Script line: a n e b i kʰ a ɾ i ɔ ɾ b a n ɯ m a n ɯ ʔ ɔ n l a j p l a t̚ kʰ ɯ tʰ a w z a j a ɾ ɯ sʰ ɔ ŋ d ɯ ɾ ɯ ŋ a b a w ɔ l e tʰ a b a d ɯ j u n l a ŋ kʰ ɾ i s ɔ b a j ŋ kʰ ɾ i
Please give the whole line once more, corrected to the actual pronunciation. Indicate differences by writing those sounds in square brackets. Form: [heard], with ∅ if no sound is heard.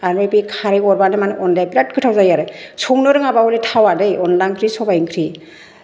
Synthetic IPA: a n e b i kʰ a ɾ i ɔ ɾ b a n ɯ m a n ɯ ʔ ɔ n l a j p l a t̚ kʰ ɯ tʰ a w z a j a ɾ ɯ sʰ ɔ ŋ [n] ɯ ɾ ɯ ŋ a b a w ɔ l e tʰ a [w] a d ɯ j [ɔ] n l a ŋ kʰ ɾ i s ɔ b a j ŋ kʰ ɾ i

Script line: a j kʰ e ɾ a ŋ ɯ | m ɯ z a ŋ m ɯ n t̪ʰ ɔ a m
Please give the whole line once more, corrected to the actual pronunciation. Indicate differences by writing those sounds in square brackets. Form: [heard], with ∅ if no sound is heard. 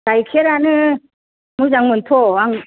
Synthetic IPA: a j kʰ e ɾ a [n] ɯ | m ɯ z a ŋ m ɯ n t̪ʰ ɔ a [ŋ]

